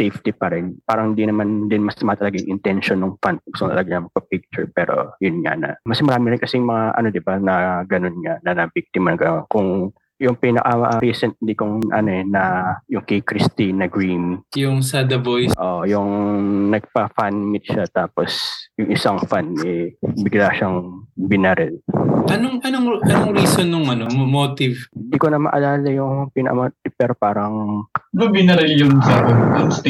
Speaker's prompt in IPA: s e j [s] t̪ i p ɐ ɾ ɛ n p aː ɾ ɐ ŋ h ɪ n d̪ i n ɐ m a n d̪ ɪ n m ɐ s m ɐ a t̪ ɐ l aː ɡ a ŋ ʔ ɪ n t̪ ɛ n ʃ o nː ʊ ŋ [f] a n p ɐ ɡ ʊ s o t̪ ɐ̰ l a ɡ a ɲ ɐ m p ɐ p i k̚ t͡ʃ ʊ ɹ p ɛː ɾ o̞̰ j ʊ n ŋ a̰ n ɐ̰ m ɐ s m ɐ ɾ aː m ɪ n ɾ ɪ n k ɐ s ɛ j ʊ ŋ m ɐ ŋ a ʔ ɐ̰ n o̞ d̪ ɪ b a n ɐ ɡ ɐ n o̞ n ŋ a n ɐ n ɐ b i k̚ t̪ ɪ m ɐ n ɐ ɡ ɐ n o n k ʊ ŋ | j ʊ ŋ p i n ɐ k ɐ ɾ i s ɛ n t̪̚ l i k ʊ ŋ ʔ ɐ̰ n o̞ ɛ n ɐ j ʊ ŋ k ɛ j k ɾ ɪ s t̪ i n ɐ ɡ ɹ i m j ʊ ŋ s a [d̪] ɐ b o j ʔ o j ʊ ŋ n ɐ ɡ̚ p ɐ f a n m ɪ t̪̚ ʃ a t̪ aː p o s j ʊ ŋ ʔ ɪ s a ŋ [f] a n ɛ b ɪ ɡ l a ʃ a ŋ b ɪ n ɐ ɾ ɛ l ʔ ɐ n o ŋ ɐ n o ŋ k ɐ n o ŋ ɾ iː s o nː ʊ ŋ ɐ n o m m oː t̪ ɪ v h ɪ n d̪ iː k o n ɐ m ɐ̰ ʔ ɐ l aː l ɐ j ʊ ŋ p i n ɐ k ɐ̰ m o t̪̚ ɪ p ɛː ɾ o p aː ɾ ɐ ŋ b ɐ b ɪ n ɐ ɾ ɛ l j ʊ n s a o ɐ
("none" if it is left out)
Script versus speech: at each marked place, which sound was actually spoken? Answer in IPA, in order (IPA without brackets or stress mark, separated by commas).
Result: f, f, d̪, f